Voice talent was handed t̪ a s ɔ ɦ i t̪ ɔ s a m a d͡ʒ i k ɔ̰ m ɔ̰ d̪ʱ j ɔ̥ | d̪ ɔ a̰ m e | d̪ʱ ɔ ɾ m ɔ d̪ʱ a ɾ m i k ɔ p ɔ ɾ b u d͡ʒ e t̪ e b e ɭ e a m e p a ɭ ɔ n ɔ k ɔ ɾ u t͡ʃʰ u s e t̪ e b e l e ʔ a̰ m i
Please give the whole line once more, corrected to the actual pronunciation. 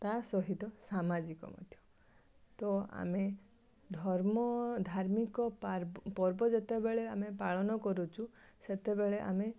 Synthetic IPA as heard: t̪ a s ɔ ɦ i t̪ ɔ s a m a d͡ʒ i k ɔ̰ m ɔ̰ d̪ʱ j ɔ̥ | t̪ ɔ a̰ m e | d̪ʱ ɔ ɾ m ɔ d̪ʱ a ɾ m i k ɔ p ɔ ɾ b ɔ d͡ʒ e t̪ e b e ɭ e a m e p a ɭ ɔ n ɔ k ɔ ɾ u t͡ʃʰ u s e t̪ e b e ɭ e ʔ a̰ m e